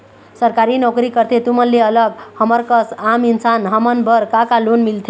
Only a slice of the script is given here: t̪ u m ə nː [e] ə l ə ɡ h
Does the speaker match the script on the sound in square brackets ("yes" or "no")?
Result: yes